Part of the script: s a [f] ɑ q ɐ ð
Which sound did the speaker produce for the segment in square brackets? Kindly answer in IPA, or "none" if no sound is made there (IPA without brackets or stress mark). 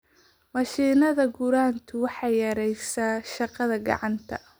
ʃ